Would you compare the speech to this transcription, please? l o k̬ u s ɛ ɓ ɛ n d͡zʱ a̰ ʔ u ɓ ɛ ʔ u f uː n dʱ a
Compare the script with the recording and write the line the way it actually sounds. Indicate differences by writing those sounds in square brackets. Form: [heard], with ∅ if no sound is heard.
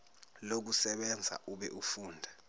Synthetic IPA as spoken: l o k̬ u s ɛ ɓ ɛ n d͡zʱ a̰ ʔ u ɓ ɛ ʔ u f uː n dʱ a